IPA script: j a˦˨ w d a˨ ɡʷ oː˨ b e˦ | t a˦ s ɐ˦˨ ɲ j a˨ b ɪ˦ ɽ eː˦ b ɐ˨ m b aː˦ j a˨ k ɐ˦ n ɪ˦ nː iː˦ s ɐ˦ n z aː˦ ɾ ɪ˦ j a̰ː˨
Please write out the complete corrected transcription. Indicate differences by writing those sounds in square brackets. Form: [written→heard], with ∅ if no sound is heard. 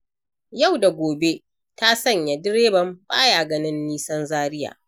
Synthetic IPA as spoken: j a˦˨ w d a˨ ɡʷ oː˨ b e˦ | t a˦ s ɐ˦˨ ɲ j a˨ [b→d] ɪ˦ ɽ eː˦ b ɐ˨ m b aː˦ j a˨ [k→ɡ] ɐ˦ n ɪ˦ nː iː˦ s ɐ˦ n z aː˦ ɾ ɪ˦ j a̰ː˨